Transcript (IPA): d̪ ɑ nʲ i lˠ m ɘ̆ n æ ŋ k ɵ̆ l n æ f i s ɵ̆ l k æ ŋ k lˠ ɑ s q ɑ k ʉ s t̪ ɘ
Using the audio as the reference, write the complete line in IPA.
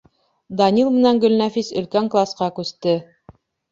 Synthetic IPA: d̪ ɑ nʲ i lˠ m ɘ̆ n æ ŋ ɡ ɵ̆ l n æ f i s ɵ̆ l k æ ŋ k lˠ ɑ s q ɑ k ʉ s t̪ ɘ